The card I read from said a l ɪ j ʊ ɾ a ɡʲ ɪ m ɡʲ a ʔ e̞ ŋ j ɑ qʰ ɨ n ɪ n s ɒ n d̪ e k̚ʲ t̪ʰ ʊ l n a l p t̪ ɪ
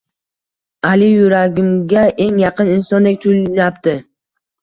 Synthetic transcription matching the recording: a l ɪ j ʊ ɾ a ɡʲ ɪ m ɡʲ a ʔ e̞ ŋ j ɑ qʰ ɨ n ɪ n s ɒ n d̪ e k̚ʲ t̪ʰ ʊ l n a p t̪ ɪ